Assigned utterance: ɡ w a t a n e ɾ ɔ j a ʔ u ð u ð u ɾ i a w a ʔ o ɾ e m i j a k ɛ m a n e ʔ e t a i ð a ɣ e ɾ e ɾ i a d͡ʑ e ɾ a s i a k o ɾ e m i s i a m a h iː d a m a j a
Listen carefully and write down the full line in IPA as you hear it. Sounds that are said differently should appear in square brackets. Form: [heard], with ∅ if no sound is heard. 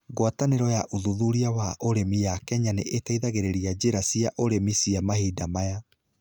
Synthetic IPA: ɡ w a t a n e ɾ ɔ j a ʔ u ð u ð u ɾ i a w a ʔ o ɾ e m i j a k ɛ [ɲ] a n e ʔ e t a i ð a ɣ e ɾ e ɾ i a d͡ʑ e ɾ a s i a [ʔ] o ɾ e m i s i a m a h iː d a m a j a